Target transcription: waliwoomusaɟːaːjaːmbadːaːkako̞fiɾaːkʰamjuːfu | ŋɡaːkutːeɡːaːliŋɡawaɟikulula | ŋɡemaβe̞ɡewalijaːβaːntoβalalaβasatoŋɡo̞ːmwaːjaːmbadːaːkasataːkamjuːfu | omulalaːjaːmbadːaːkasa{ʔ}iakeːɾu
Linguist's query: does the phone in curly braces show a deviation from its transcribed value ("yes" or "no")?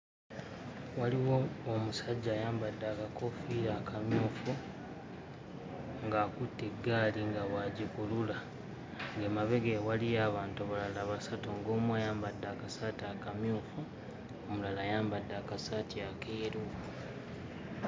yes